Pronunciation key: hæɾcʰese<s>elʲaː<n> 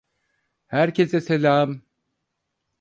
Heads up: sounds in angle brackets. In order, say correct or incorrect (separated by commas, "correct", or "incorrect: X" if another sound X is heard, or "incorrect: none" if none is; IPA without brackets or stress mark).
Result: correct, incorrect: m